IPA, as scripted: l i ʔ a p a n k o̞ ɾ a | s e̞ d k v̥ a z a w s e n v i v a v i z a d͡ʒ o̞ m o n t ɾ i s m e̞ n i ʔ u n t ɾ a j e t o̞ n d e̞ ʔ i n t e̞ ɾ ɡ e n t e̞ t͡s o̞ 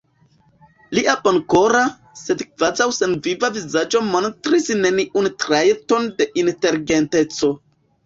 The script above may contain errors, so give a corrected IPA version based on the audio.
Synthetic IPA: l i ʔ a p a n k o̞ ɾ a | s e̞ d k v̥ a z a w s e n v i v a v i z a d͡ʒ o̞ m o n t ɾ i s n e̞ n i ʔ u n t ɾ a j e t o̞ n d e̞ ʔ i n t e̞ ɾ ɡ e n t e̞ t͡s o̞